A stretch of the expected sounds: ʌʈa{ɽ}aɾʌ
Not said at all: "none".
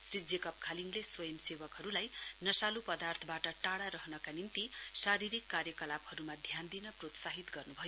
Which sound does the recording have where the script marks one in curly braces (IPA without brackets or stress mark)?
ɽ